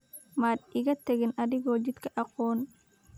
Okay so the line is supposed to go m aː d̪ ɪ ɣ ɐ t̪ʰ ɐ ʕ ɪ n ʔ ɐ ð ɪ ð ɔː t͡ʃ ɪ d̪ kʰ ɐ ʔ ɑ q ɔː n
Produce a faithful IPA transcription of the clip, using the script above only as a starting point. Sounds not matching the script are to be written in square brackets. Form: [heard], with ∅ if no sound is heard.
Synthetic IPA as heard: m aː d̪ ɪ ɣ ɐ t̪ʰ ɐ [ɣ] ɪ n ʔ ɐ ð ɪ [ɣ] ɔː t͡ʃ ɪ d̪ kʰ ɐ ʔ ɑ q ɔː n

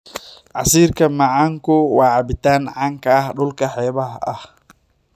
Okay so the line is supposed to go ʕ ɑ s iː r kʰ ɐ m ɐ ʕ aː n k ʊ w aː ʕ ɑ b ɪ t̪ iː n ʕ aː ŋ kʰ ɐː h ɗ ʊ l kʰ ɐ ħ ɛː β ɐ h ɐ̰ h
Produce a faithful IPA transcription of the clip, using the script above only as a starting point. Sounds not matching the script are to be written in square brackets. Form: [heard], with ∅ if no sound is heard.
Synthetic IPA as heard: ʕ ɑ s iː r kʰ ɐ m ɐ ʕ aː [ŋ] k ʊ w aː ʕ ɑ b ɪ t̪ [aː] n ʕ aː ŋ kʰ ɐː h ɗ ʊ l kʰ ɐ ħ ɛː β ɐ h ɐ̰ h

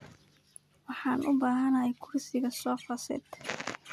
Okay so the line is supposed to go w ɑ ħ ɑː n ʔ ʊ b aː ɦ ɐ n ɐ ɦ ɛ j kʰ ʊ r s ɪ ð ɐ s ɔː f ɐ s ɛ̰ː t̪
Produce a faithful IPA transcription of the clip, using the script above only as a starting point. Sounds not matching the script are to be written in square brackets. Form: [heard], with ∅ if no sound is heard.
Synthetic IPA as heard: w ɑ ħ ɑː n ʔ ʊ b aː ɦ ɐ n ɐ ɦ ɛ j kʰ ʊ r s ɪ [ɣ] ɐ s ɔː f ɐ s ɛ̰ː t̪

